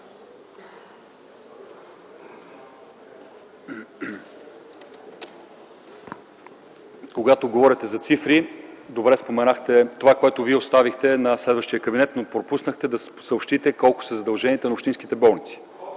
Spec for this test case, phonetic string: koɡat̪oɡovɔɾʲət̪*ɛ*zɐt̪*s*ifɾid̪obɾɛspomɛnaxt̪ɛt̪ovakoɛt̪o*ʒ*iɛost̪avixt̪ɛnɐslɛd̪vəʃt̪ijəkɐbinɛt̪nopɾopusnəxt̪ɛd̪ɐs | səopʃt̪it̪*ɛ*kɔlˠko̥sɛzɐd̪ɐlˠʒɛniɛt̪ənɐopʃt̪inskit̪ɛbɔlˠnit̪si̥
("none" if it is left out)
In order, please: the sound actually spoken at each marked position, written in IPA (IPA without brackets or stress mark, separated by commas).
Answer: ɛ, s, v, ɛ